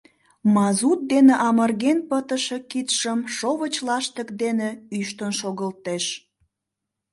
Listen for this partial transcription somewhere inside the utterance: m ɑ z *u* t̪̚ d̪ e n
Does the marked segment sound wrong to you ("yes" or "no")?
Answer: no